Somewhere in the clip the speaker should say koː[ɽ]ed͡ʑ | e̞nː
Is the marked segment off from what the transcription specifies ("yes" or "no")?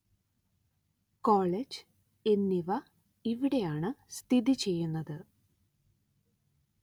yes